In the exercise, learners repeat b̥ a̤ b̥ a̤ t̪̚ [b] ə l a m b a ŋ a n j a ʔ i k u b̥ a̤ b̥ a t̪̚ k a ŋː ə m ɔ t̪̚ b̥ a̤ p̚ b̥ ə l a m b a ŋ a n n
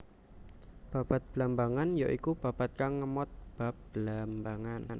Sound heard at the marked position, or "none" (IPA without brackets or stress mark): b